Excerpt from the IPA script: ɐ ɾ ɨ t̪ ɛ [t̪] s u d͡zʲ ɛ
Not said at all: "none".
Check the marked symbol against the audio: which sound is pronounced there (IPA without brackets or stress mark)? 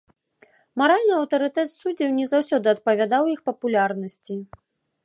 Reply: t̪